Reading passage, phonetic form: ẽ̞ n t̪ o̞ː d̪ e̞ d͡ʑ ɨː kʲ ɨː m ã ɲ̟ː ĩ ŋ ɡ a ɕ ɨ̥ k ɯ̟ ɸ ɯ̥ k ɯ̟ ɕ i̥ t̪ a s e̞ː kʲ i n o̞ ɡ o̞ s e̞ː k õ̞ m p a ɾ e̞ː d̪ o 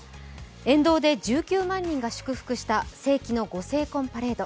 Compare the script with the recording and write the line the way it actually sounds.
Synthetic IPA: ẽ̞ n d̪ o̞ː d̪ e̞ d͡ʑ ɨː kʲ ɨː m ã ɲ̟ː ĩ ŋ ɡ a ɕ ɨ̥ k ɯ̟ ɸ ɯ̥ k ɯ̟ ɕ i̥ t̪ a s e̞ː kʲ i n o̞ ɡ o̞ s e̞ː k õ̞ m p a ɾ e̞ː d̪ o